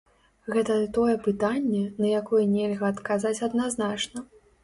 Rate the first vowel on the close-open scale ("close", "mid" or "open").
mid